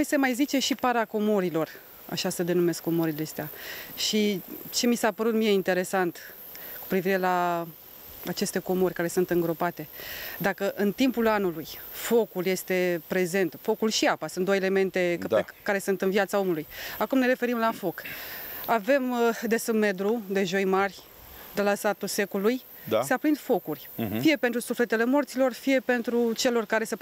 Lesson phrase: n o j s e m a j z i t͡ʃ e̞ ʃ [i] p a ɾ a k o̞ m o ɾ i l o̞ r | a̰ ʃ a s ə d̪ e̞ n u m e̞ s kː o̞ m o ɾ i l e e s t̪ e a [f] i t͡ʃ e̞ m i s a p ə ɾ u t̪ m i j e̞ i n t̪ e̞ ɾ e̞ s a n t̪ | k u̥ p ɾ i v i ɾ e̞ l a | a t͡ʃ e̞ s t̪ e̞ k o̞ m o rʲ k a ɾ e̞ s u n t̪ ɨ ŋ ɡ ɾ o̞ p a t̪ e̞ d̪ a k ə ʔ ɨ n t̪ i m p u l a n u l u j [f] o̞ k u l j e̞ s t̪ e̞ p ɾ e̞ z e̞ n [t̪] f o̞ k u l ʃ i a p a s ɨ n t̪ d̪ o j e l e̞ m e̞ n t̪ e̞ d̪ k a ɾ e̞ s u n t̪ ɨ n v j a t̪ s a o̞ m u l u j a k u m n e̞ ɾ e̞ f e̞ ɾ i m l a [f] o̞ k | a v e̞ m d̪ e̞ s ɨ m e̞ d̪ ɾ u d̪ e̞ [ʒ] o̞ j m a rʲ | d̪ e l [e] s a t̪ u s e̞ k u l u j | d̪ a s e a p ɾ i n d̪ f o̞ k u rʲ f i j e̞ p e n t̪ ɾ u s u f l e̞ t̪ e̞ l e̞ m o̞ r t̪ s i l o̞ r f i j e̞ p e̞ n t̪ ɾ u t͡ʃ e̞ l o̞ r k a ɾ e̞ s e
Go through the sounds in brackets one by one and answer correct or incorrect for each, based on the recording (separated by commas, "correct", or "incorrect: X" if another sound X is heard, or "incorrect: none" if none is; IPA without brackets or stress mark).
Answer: correct, incorrect: ʃ, correct, correct, correct, correct, incorrect: a